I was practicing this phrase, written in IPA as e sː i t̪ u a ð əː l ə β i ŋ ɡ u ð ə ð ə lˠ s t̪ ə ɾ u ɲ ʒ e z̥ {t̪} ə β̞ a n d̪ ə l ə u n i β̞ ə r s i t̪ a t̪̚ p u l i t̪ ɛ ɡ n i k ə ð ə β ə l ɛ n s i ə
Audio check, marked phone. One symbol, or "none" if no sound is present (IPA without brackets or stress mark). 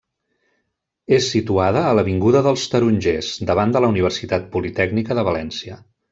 d̪